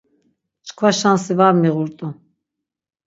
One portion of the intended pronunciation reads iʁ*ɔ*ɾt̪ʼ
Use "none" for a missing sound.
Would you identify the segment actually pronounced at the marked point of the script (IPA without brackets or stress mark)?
u